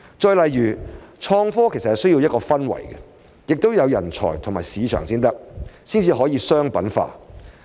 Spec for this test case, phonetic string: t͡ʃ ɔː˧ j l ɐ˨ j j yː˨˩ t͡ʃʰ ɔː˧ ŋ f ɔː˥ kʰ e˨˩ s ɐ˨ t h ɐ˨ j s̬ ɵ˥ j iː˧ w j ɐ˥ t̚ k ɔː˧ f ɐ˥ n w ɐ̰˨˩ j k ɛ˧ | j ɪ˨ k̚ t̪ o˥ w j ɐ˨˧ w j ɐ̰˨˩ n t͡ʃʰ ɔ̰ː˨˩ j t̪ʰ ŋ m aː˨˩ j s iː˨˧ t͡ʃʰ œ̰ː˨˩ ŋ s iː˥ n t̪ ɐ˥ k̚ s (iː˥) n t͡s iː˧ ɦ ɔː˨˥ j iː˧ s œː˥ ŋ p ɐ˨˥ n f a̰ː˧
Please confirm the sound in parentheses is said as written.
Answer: yes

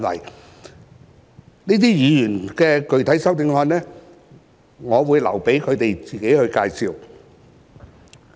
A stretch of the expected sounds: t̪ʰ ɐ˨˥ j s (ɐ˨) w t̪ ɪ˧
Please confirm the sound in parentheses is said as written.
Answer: no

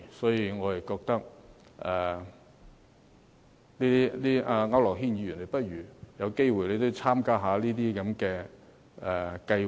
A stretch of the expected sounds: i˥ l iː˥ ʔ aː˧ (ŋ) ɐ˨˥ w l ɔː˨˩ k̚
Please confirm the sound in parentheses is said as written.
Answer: yes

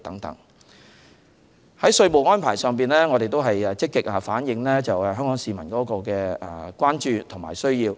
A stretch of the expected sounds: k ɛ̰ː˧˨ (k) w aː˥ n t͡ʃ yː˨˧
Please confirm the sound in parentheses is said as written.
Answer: yes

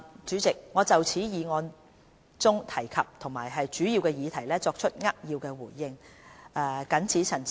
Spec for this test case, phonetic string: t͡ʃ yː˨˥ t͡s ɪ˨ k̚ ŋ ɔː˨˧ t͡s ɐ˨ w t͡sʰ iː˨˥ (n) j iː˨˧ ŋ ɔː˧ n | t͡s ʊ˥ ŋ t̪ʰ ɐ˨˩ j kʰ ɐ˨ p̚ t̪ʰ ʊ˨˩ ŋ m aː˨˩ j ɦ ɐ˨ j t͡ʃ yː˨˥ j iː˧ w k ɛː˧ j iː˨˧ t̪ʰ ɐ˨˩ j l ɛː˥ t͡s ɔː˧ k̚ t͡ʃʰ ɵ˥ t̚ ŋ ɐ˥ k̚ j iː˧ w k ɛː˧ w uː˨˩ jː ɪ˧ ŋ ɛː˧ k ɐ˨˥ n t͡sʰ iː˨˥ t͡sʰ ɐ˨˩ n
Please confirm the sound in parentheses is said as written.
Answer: no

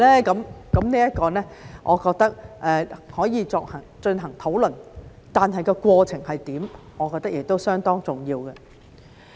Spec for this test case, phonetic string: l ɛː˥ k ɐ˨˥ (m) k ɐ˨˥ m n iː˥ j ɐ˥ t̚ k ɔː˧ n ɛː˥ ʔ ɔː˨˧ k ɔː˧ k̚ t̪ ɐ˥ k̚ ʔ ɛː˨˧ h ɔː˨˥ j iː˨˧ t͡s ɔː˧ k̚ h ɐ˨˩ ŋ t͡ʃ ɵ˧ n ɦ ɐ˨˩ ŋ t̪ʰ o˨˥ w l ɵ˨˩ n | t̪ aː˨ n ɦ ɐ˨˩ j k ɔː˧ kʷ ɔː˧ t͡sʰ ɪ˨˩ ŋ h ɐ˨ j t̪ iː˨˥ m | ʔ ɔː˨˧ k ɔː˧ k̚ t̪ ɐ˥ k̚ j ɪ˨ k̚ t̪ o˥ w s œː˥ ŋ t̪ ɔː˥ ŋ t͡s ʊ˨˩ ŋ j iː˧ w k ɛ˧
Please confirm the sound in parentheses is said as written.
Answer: yes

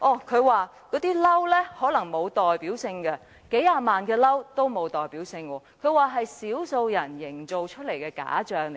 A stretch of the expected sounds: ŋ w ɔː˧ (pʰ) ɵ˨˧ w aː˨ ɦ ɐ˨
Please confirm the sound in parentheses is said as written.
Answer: no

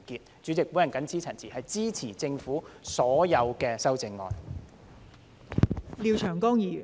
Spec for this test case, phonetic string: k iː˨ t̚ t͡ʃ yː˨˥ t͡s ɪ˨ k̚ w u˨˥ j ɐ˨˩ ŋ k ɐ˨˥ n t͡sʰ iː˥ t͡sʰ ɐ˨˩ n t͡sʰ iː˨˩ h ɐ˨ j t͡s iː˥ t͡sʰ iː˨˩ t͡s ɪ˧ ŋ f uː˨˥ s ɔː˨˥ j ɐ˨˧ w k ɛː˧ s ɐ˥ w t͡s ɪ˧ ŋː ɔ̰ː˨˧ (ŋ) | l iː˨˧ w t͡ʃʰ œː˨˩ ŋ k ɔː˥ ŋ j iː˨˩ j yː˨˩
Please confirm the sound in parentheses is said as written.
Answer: no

